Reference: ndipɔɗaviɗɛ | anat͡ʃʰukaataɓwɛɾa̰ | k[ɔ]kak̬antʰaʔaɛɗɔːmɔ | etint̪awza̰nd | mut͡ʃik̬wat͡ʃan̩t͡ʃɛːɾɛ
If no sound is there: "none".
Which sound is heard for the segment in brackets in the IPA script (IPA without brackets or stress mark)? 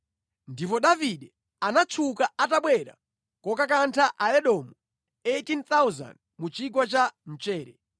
ɔ